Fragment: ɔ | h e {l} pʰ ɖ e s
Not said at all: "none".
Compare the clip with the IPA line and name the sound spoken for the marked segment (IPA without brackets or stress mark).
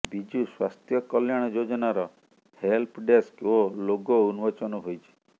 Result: l